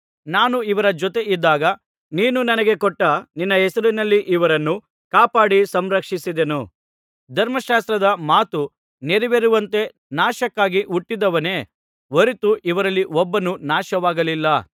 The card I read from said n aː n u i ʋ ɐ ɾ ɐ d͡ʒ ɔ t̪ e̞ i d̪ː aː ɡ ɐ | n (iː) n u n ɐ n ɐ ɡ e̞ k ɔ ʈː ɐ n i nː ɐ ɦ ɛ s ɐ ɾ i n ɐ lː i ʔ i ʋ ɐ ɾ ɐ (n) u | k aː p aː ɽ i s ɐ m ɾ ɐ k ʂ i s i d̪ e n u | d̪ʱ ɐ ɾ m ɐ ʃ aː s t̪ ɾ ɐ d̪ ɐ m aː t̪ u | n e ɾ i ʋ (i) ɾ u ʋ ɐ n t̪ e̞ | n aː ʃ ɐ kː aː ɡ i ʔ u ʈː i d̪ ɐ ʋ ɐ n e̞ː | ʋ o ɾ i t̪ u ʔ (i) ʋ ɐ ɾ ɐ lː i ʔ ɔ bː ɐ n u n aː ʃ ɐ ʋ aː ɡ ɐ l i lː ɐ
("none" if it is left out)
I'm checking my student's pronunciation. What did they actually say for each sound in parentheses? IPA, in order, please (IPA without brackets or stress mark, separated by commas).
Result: iː, nː, e, i